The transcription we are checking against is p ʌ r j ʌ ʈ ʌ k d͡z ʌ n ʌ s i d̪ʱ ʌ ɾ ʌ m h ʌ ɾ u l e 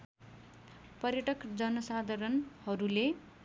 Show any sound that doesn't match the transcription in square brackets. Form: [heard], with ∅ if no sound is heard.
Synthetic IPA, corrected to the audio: p ʌ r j ʌ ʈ ʌ k d͡z ʌ n ʌ s [a] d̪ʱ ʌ ɾ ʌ [n] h ʌ ɾ u l e